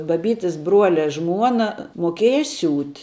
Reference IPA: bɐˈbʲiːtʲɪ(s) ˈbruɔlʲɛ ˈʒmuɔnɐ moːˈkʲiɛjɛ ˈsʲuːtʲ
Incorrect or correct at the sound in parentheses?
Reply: correct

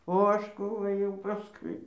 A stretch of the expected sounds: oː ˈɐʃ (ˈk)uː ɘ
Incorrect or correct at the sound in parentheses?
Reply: correct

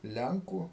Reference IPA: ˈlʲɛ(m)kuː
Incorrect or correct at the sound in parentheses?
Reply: incorrect: ŋ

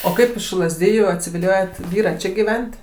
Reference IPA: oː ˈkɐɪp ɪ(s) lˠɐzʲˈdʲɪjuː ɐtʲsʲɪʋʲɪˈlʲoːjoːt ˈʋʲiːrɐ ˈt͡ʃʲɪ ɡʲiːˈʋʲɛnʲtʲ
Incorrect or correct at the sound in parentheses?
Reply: incorrect: ʃ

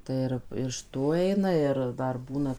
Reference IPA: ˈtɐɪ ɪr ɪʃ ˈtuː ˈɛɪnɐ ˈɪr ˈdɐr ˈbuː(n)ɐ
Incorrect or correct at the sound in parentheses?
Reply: correct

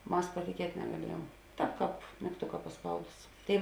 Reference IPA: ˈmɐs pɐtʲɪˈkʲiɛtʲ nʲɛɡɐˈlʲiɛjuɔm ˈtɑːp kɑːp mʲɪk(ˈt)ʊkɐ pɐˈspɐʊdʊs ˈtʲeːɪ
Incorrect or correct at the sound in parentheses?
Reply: correct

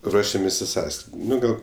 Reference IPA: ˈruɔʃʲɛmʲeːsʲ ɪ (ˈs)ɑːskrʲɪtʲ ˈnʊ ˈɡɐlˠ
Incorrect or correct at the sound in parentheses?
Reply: correct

